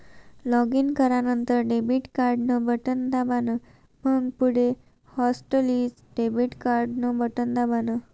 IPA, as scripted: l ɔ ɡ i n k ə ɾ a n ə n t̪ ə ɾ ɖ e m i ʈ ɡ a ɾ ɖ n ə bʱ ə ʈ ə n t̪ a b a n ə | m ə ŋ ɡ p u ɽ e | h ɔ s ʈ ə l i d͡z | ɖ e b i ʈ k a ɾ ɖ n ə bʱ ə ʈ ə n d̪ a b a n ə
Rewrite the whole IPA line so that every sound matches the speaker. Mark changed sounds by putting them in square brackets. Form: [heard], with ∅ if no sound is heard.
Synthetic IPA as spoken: l ɔ ɡ i n k ə ɾ a n ə n t̪ ə ɾ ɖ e [b] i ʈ [k] a ɾ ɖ n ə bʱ ə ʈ ə n [d̪] a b a n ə | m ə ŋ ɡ p u ɽ e | h ɔ s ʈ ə l i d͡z | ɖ e b i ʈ k a ɾ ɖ n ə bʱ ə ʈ ə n d̪ a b a n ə